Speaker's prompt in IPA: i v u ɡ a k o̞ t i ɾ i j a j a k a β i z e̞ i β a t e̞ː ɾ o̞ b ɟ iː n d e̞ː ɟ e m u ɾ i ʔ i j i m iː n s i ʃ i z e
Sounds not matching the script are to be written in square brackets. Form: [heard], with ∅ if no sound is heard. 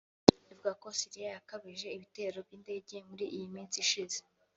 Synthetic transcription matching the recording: i v u ɡ a k o̞ [s] i ɾ i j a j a k a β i [ʒ] e̞ i β [i] t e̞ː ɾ o̞ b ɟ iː n d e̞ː ɟ e m u ɾ i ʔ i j i m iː n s i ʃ i z e